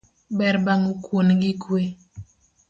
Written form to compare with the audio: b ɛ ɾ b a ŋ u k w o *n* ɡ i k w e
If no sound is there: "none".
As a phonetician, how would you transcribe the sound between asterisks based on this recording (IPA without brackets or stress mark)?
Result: n